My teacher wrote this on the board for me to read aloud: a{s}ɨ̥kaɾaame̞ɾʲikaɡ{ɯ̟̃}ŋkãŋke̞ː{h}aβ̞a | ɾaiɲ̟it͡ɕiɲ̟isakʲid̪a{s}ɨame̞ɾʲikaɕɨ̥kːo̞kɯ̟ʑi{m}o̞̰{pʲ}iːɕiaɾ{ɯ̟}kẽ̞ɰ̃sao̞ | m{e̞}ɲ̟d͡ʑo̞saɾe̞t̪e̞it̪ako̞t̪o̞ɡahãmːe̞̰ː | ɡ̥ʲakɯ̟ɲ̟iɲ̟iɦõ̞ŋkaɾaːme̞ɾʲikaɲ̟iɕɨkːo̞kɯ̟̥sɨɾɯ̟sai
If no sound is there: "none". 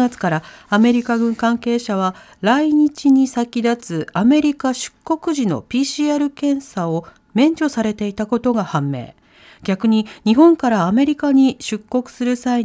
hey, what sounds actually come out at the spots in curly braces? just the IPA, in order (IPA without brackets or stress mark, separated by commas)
t͡s, ɯ̟̃, ɕ, t͡s, n, pʲ, ɯ̟, ẽ̞